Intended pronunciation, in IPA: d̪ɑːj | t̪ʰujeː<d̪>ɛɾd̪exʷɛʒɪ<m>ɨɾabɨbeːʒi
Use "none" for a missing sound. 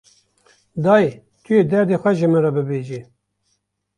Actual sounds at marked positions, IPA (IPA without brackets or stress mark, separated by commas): d̪, m